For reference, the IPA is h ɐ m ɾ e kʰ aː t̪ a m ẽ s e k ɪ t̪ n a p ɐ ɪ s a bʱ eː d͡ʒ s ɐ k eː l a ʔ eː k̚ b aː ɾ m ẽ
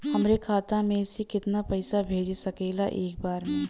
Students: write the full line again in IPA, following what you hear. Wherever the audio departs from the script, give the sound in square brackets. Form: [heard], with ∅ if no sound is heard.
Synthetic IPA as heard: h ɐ m ɾ e kʰ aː t̪ a m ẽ s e k ɪ t̪ n a p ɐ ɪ s a bʱ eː d͡ʒ s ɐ k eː l a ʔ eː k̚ b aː ɾ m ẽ